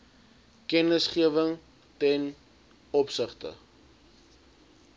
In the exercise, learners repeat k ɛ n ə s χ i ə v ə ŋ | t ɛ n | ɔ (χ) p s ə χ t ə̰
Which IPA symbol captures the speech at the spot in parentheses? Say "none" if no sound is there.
none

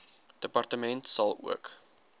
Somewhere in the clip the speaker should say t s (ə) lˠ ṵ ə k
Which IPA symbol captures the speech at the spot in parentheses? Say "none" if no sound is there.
ɐ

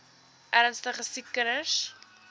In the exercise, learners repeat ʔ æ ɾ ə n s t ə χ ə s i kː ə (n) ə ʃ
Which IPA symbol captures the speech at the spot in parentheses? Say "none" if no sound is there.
n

